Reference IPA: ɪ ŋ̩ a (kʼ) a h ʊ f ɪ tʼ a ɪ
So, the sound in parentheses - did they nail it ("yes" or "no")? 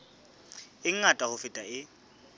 no